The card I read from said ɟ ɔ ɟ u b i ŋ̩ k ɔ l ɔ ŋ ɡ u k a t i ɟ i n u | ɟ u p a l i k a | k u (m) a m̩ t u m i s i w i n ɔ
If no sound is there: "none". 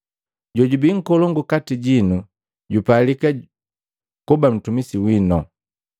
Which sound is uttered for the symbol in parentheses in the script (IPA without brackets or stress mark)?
b